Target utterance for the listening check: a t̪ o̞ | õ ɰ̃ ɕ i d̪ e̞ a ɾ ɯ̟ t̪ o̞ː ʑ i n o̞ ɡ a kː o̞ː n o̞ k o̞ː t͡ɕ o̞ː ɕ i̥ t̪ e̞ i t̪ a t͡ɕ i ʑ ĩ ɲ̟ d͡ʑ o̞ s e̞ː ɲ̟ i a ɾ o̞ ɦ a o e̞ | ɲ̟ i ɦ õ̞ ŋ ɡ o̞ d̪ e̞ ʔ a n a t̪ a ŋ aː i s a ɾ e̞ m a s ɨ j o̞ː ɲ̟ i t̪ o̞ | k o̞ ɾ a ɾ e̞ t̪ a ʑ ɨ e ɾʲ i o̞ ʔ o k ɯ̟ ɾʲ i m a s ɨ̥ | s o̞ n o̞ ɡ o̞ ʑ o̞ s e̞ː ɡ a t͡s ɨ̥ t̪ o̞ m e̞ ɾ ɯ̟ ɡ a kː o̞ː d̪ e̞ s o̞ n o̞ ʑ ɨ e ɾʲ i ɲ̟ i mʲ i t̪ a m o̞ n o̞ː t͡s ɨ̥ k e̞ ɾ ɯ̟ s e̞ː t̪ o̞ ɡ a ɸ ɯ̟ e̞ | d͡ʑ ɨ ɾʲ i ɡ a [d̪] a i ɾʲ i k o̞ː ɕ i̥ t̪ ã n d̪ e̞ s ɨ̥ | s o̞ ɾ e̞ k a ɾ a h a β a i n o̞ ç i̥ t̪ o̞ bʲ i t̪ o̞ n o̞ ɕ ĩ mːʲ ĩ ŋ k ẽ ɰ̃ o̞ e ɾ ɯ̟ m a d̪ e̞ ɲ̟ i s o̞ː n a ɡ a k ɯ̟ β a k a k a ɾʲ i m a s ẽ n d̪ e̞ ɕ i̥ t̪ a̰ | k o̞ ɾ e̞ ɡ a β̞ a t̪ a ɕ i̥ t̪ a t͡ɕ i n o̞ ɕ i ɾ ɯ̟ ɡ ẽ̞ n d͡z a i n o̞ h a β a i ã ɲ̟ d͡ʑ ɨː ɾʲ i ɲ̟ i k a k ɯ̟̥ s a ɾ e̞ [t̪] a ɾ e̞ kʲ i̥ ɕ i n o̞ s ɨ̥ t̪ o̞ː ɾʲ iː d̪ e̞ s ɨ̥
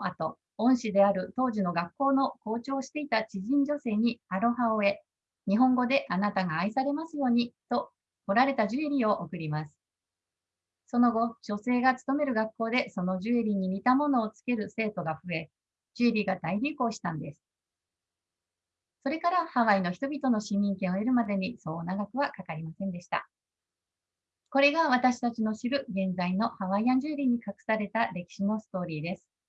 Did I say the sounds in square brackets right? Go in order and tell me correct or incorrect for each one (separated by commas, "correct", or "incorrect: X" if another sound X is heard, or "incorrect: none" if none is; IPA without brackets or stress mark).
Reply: correct, correct